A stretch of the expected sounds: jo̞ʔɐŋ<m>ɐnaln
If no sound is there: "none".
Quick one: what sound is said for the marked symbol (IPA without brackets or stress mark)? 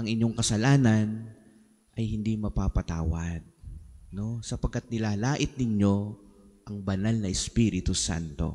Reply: b